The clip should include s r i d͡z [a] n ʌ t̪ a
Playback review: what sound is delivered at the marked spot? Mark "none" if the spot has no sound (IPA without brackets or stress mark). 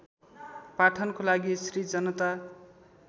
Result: ʌ